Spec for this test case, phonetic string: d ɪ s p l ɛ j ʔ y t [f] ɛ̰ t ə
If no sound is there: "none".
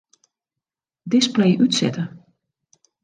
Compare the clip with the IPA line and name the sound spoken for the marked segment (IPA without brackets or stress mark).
s